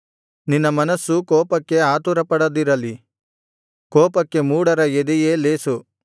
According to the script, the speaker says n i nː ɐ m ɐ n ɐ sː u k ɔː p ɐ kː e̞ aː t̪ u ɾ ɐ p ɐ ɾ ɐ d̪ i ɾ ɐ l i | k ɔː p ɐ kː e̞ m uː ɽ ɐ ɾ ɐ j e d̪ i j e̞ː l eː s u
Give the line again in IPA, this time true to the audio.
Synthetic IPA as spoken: n i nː ɐ m ɐ n ɐ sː u k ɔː p ɐ kː e̞ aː t̪ u ɾ ɐ p ɐ ɽ ɐ d̪ i ɾ ɐ l i | k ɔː p ɐ kː e̞ m uː ɽ ɐ ɾ ɐ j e d̪ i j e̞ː l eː s u